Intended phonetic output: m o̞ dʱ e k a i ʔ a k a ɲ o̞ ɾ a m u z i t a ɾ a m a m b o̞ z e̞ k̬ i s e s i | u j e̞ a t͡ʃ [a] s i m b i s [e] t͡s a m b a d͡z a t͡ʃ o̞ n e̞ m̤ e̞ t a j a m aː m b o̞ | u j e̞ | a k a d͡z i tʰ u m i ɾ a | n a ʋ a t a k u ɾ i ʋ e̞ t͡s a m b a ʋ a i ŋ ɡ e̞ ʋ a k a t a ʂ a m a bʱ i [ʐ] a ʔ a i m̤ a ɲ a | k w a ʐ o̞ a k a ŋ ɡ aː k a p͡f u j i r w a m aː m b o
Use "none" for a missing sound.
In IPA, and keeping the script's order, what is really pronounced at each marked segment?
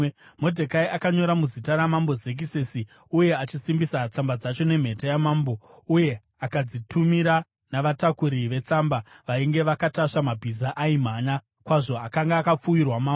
i, a, z

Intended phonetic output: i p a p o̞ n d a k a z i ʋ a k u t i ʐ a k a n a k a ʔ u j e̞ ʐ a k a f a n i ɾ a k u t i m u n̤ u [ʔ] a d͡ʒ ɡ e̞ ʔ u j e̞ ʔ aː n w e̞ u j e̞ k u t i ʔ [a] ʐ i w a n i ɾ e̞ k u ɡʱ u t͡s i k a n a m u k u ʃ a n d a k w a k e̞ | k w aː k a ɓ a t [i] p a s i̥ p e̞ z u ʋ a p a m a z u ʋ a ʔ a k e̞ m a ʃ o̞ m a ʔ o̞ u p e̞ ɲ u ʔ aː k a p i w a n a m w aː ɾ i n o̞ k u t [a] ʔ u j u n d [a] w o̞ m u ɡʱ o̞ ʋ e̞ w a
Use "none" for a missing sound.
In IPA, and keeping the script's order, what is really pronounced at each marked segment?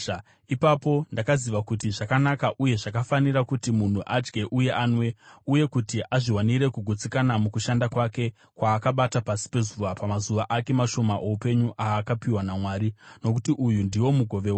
ʔ, a, a, i, i

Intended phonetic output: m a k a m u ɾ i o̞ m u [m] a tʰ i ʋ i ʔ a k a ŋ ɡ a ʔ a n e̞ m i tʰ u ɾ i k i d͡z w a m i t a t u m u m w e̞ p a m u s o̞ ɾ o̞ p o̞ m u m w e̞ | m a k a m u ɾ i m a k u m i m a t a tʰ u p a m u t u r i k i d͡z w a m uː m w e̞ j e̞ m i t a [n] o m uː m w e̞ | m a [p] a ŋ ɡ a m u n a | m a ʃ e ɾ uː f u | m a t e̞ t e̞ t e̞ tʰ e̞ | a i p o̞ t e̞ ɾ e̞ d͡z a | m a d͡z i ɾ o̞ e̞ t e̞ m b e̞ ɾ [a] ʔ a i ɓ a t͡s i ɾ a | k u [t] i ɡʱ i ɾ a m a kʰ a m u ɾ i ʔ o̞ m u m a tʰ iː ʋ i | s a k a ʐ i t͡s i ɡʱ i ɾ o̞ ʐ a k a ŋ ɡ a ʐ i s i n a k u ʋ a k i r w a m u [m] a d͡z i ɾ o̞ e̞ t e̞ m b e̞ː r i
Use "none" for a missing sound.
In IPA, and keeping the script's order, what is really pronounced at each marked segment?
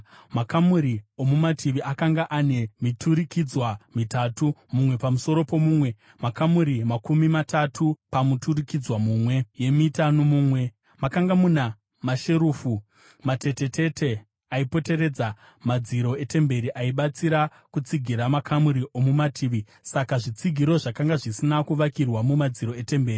m, n, k, i, t͡s, m

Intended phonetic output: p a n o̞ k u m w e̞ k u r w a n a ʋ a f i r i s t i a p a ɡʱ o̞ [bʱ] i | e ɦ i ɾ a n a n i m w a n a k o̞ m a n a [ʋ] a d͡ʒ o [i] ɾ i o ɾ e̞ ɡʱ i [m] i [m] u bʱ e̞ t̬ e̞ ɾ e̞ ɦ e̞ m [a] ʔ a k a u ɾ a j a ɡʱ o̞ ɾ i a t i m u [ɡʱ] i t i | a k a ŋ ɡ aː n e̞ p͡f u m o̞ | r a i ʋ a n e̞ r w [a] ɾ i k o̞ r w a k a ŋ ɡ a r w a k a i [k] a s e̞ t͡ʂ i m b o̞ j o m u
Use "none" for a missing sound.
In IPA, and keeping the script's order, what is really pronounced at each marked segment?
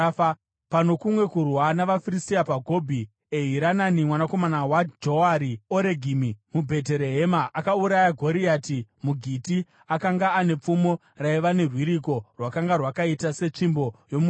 bʱ, w, a, m, m, a, ɡʱ, i, t

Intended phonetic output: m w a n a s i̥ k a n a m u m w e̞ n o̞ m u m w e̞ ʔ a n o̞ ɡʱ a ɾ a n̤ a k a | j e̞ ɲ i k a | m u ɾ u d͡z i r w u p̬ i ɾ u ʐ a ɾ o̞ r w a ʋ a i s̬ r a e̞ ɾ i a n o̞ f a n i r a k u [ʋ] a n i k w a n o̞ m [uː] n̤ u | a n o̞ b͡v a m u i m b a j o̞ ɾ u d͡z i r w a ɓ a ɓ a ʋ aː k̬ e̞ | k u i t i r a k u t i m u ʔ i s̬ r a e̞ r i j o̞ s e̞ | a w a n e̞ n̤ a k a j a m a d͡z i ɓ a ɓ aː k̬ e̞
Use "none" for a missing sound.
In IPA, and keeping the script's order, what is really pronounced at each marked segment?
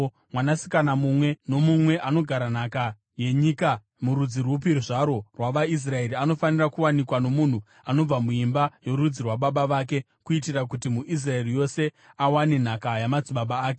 w, u

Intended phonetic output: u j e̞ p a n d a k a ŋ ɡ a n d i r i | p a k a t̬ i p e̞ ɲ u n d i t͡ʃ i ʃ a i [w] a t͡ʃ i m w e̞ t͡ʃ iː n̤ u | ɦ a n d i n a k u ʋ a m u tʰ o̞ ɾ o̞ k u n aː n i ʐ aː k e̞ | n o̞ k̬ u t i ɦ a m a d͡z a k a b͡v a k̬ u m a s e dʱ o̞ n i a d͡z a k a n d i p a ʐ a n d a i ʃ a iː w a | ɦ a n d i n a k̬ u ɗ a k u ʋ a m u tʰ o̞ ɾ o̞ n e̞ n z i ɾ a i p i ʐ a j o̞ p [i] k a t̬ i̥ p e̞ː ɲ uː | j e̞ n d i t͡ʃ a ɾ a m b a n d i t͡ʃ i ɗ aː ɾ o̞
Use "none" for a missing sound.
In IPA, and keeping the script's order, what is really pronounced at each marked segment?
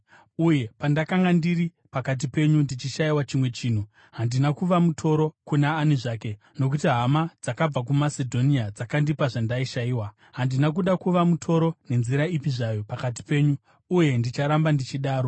w, a

